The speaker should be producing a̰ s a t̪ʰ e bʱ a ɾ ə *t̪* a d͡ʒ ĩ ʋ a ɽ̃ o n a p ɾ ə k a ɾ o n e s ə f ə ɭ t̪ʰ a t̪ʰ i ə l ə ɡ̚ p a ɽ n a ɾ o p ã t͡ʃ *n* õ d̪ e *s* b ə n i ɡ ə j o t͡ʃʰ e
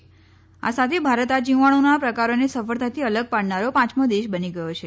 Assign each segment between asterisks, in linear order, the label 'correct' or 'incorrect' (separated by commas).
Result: correct, incorrect, incorrect